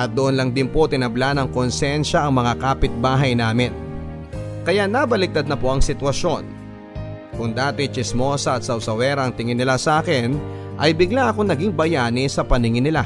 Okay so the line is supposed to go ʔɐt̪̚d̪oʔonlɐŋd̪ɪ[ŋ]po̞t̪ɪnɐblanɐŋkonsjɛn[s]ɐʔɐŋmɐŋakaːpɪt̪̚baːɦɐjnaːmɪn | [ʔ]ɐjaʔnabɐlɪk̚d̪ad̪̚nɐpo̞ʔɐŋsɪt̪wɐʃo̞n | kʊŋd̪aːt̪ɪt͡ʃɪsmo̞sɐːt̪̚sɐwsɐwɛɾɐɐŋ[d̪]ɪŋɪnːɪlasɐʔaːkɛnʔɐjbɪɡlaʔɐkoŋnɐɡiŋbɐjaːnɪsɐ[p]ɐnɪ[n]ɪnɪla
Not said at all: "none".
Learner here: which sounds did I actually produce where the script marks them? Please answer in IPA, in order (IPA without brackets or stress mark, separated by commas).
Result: n, ʃ, k, t̪, p, ŋ